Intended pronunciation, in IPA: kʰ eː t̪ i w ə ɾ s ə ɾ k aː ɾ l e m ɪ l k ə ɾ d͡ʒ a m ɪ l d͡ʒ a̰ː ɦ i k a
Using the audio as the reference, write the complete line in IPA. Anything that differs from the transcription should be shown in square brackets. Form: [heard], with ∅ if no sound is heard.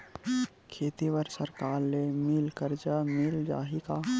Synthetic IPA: kʰ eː t̪ i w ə ɾ s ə ɾ k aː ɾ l e m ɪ l k ə ɾ d͡ʒ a m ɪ l d͡ʒ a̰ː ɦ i k a